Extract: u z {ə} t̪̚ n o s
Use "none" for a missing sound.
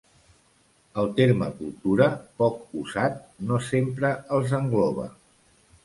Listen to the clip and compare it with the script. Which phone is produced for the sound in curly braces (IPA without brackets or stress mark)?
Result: a